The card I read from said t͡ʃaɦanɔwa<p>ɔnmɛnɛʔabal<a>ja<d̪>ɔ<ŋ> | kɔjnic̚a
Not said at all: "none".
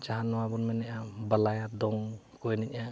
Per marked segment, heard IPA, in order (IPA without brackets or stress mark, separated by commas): b, a, d̪, ŋ